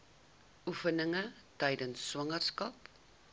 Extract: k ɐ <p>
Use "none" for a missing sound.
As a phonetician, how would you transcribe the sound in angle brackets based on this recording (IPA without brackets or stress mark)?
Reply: p